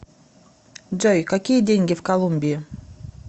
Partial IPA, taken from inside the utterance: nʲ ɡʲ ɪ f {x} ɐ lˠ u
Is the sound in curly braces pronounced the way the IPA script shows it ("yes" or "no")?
no